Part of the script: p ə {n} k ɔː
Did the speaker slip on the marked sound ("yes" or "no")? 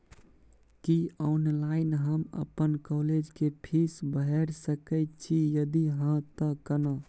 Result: no